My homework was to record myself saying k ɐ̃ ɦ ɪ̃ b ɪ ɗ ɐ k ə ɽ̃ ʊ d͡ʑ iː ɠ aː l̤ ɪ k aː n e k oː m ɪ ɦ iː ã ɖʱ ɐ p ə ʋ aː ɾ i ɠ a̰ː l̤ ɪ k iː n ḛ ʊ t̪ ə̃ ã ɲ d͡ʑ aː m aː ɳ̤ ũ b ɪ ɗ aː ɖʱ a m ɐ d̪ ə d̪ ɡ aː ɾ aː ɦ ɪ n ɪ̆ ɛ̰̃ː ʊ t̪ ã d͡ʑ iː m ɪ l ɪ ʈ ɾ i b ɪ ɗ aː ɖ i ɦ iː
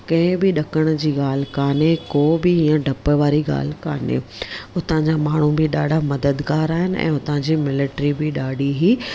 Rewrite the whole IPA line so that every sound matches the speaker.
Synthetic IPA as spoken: k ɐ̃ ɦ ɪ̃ b ɪ ɗ ɐ k ə ɽ̃ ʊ d͡ʑ iː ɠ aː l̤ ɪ k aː n e k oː b ɪ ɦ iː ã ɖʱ ɐ p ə ʋ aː ɾ i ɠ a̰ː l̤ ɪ k aː n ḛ ʊ t̪ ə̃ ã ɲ d͡ʑ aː m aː ɳ̤ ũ b ɪ ɗ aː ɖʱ a m ɐ d̪ ə d̪ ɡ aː ɾ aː ɦ ɪ n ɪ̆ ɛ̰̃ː ʊ t̪ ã d͡ʑ iː m ɪ l ɪ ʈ ɾ i b ɪ ɗ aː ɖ i ɦ iː